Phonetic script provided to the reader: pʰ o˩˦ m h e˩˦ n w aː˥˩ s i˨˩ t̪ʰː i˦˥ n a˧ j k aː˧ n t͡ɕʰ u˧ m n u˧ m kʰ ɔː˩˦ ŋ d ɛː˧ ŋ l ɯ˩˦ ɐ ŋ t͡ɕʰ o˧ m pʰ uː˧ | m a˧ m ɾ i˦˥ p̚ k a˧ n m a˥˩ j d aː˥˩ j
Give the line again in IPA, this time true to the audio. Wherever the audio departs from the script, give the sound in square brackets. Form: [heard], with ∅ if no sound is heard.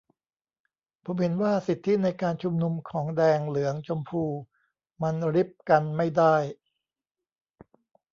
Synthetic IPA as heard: pʰ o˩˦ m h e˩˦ n w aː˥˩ s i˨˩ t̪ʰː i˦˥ n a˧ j k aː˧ n t͡ɕʰ u˧ m n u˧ m kʰ ɔː˩˦ ŋ d ɛː˧ ŋ l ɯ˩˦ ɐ ŋ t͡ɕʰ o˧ m pʰ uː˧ | m a˧ [n] ɾ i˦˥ p̚ k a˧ n m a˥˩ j d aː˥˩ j